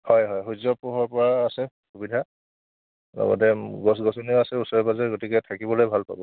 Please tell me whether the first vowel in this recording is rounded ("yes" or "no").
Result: yes